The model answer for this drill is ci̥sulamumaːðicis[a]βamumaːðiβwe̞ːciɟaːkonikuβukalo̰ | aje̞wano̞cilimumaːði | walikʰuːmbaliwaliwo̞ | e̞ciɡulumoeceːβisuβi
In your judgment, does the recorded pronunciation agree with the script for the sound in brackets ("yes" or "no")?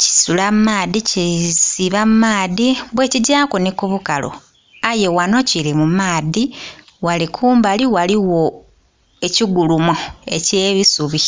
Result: no